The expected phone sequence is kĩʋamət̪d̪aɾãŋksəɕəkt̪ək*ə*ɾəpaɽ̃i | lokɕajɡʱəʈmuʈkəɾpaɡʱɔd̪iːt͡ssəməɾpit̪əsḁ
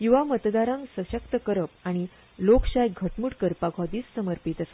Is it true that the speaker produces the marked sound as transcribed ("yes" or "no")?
yes